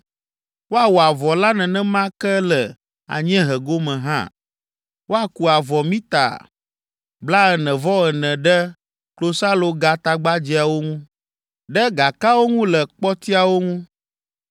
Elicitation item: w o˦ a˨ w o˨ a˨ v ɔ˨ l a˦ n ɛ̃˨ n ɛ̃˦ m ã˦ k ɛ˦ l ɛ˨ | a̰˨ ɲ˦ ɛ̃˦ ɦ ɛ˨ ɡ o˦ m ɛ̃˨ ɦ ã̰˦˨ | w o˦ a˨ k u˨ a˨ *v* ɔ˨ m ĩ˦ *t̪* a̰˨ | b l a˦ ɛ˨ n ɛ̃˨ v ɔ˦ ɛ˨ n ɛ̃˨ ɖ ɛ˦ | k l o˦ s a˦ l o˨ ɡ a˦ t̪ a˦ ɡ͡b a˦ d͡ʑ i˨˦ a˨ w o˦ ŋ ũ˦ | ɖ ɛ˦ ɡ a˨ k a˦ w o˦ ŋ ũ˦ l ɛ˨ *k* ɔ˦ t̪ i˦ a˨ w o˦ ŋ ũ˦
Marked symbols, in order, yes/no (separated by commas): yes, yes, no